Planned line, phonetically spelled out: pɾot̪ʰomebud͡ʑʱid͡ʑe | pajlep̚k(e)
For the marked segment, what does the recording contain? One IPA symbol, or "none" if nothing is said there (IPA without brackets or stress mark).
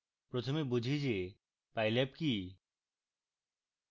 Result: i